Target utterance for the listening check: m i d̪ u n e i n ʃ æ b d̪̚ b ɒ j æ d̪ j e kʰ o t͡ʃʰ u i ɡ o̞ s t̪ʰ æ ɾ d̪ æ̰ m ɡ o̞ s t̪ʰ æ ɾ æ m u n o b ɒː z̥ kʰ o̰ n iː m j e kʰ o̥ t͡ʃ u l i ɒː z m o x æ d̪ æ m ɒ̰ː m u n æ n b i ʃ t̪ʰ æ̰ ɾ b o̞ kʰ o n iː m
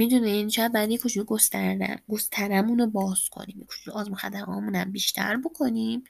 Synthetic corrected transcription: m i d̪ u n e i n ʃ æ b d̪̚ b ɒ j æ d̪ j e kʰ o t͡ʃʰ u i ɡ o̞ s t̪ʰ æ ɾ d̪ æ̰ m ɡ o̞ s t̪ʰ æ ɾ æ m u n o b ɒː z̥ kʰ o̰ n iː m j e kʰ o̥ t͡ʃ u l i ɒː z m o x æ d̪ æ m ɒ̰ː m u n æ m b i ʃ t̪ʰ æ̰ ɾ b o̞ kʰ o n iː m